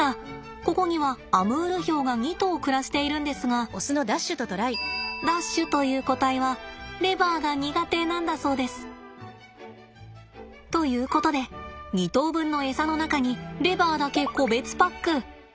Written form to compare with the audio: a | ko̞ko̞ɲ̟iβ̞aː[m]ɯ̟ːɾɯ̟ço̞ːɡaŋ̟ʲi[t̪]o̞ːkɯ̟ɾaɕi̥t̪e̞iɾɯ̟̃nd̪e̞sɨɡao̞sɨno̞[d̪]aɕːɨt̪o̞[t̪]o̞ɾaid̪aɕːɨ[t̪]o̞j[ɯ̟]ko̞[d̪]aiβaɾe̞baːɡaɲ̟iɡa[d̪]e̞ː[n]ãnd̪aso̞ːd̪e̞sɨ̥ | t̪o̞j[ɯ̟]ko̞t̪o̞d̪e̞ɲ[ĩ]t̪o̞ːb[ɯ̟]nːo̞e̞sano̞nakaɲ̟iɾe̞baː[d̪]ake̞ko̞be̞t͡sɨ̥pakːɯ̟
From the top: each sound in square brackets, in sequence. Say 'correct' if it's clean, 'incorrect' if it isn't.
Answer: correct, correct, correct, correct, correct, incorrect, incorrect, incorrect, correct, incorrect, incorrect, incorrect, correct

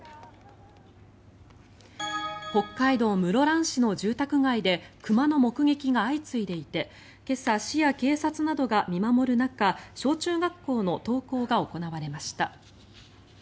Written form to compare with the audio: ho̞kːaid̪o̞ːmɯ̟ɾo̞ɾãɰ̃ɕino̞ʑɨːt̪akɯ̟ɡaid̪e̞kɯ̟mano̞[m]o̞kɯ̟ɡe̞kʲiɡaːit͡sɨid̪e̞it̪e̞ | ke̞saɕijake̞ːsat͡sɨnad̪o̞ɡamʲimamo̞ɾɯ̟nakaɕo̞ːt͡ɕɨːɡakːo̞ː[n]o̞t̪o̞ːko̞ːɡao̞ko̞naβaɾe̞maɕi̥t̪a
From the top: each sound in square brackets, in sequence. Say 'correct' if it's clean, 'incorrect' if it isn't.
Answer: correct, correct

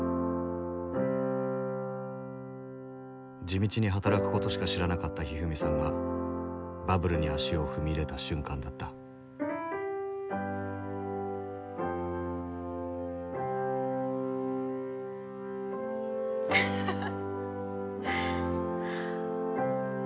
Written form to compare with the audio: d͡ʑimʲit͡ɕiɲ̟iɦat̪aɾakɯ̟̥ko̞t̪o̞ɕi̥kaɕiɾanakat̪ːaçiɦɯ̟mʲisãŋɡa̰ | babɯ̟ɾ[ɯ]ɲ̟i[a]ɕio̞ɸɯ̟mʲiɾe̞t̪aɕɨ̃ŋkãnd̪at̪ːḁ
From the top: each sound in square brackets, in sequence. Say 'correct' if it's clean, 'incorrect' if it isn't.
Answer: correct, correct

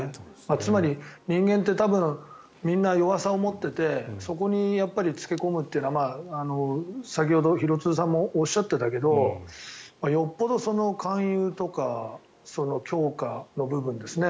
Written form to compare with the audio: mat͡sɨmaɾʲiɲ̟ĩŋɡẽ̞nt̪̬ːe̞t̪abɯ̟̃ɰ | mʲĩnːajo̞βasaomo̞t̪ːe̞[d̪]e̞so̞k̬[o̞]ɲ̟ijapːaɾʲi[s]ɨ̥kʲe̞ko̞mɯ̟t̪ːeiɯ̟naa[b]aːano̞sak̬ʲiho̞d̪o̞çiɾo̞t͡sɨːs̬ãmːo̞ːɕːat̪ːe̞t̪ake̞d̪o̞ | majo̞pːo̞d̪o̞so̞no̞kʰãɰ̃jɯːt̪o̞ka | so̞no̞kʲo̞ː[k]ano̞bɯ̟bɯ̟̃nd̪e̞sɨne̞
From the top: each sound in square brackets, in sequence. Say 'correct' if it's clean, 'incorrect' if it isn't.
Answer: incorrect, correct, incorrect, incorrect, correct

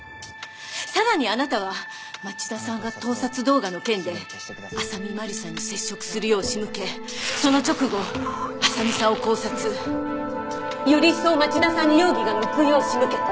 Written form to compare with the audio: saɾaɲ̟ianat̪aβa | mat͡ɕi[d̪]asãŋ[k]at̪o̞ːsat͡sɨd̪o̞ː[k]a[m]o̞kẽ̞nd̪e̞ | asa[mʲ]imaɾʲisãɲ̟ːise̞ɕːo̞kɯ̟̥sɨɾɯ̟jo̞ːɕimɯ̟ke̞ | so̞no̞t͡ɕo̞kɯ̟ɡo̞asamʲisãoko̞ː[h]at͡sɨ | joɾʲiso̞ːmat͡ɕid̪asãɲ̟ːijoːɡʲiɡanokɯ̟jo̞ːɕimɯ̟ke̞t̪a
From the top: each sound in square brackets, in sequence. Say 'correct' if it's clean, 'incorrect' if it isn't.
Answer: correct, incorrect, incorrect, incorrect, correct, incorrect

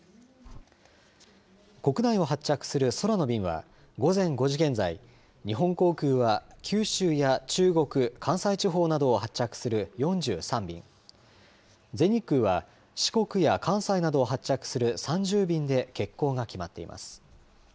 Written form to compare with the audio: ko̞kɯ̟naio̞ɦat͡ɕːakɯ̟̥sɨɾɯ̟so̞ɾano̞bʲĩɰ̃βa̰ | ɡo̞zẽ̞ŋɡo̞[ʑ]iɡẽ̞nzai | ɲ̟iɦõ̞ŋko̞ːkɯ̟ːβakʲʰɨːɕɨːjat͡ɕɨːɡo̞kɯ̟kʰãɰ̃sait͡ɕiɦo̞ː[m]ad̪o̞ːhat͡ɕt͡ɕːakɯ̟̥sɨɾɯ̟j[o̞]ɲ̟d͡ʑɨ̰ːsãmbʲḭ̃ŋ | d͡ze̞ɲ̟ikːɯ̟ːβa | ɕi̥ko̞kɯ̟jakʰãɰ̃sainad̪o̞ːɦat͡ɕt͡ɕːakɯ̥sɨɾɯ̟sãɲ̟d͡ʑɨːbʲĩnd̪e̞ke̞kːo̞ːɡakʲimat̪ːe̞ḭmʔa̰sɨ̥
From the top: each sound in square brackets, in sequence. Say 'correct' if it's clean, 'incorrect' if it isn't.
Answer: correct, incorrect, incorrect

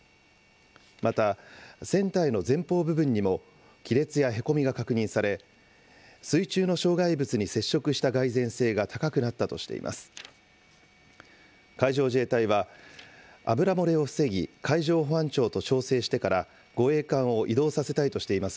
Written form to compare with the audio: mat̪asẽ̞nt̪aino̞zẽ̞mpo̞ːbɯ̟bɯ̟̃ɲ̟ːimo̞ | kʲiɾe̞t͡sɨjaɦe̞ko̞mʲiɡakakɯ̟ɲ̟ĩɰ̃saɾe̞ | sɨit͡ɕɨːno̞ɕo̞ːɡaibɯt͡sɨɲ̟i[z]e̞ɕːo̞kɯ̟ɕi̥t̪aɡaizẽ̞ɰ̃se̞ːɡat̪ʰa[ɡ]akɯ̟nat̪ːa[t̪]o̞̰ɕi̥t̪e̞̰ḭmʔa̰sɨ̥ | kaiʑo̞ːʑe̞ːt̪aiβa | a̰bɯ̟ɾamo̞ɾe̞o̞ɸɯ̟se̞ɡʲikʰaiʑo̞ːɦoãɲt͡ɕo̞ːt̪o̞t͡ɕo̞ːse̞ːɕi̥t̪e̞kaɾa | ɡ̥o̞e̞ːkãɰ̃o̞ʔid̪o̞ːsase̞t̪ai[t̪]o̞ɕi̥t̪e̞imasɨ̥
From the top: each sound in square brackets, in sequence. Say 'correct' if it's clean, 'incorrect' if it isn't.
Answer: incorrect, incorrect, correct, correct

